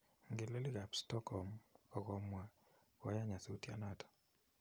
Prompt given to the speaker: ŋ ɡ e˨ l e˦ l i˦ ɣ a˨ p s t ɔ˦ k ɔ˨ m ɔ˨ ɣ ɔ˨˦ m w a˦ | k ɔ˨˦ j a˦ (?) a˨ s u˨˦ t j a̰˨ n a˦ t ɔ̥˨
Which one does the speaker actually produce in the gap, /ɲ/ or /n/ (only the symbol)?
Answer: ɲ